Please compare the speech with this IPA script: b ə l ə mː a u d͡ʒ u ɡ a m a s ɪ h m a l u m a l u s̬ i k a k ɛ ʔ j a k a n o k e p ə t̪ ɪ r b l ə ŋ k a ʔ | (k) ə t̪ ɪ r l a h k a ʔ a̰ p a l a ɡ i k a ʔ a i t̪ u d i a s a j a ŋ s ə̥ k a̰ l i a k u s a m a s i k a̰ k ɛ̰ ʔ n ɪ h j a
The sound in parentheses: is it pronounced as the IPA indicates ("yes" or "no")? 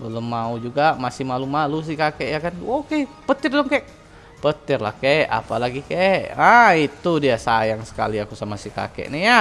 no